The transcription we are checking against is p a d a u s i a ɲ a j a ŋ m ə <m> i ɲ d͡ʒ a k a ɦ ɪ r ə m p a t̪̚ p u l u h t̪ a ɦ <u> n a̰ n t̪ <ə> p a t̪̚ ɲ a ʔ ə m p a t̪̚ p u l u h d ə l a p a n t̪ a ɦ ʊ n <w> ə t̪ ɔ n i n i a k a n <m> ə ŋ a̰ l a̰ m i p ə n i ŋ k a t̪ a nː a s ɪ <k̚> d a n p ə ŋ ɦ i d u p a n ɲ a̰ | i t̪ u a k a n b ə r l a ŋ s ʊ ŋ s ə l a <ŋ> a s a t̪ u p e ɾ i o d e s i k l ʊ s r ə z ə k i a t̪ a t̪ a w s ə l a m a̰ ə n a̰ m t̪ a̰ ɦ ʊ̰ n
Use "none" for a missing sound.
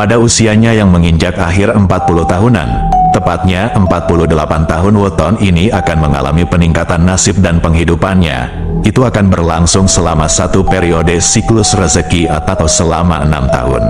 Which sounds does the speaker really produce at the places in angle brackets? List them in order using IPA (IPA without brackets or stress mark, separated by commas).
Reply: ŋ, u, ə, w, m, p̚, m